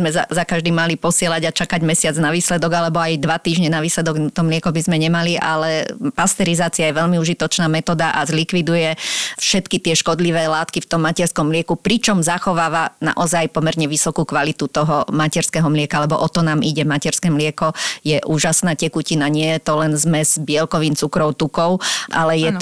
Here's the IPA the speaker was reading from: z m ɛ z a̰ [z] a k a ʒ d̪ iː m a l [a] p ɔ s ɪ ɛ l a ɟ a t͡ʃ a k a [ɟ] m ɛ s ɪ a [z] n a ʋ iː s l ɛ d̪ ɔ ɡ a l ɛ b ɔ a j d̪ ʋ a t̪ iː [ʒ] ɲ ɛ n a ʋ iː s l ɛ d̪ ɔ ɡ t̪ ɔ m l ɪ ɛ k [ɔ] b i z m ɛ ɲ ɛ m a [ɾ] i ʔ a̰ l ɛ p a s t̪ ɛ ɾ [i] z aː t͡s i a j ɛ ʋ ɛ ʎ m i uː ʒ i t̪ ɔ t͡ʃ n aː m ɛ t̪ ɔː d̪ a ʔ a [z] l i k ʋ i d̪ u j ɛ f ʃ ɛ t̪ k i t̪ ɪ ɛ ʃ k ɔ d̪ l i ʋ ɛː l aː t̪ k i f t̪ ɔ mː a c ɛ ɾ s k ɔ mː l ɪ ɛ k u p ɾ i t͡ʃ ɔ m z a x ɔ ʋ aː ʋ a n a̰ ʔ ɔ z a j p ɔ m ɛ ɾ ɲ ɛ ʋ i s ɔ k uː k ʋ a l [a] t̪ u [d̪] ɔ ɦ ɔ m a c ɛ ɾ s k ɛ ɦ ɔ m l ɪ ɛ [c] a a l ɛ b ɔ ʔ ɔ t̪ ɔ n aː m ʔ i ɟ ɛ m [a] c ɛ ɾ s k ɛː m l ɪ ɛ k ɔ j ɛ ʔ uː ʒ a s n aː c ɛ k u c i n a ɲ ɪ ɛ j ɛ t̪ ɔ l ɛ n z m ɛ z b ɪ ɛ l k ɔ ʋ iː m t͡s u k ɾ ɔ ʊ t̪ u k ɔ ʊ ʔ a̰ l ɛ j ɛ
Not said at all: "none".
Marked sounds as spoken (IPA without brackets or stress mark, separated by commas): z, i, ɟ, d͡z, ʒ, ɔ, l, i, z, i, t̪, k, a